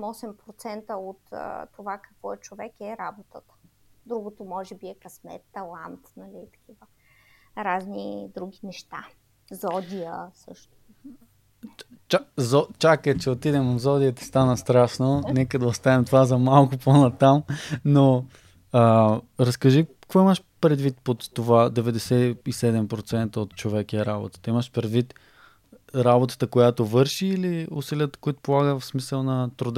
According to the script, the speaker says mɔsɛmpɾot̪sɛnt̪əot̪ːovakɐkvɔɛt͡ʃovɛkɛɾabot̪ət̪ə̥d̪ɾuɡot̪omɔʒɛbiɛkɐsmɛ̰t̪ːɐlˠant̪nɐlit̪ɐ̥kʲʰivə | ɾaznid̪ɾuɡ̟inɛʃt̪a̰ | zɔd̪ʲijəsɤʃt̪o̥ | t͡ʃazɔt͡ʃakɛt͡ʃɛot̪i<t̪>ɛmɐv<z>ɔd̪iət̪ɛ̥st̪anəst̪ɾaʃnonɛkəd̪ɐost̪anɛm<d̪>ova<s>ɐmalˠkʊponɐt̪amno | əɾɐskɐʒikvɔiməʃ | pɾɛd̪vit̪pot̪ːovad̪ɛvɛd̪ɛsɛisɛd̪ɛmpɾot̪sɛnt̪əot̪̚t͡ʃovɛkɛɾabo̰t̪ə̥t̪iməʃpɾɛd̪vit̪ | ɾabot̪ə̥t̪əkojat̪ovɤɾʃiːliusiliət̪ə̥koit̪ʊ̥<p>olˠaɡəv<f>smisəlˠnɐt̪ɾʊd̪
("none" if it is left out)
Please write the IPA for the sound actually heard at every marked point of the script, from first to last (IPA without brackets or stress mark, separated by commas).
d̪, z, t̪, z, p, f